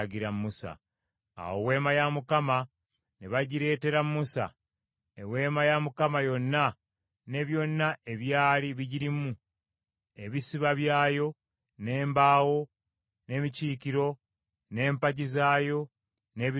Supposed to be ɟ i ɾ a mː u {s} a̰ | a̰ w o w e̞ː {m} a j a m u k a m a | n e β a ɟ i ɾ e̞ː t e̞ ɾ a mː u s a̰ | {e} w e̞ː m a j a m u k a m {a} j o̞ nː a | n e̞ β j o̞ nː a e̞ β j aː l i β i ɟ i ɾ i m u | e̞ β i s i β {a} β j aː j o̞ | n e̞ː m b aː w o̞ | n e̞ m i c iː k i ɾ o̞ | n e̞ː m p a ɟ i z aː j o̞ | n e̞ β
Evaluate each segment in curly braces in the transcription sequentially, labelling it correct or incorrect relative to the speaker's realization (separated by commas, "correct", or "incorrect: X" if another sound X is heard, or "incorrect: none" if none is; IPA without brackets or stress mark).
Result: correct, correct, correct, correct, correct